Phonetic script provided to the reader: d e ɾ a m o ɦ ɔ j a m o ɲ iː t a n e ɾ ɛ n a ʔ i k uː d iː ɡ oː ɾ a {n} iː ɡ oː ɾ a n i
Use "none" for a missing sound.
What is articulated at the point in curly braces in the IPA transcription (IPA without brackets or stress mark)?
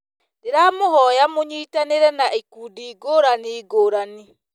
n